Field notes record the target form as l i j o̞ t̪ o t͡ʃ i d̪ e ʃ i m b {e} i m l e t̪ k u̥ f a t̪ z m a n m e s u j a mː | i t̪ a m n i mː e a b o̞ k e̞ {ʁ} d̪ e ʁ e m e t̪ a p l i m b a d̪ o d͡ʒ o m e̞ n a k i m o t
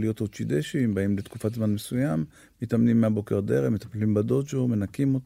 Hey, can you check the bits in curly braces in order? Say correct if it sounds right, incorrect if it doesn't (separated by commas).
incorrect, correct